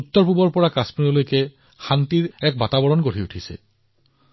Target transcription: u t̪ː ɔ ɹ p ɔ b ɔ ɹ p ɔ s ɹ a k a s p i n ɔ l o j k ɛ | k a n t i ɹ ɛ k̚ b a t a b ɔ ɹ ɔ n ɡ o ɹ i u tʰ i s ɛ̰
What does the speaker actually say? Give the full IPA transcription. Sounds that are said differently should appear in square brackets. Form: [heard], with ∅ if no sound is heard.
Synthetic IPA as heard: u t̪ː ɔ ɹ p [u] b ɔ ɹ p ɔ [∅] ɹ a k a s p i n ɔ l o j k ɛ | [x] a n t i ɹ ɛ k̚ b a t a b ɔ ɹ ɔ n ɡ o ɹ i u tʰ i s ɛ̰